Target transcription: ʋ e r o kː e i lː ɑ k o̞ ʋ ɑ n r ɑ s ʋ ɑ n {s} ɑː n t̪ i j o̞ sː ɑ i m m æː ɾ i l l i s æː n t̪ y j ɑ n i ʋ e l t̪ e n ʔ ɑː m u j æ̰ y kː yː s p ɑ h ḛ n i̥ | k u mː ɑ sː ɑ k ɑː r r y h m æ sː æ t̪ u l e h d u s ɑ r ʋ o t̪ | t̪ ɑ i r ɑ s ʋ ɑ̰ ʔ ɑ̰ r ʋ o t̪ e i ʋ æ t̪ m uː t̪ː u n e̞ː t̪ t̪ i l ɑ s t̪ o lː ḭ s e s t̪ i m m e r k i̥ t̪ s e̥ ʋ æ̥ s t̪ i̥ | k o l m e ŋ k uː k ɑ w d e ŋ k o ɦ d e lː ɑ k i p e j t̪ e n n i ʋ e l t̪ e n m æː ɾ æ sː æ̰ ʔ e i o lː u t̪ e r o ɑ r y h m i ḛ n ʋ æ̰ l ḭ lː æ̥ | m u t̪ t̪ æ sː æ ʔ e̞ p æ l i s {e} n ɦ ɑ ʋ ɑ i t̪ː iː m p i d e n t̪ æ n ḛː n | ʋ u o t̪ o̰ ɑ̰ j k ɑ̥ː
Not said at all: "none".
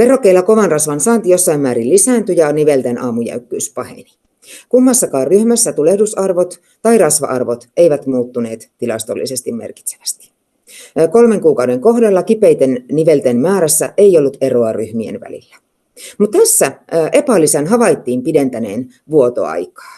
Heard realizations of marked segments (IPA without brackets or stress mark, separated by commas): s, æ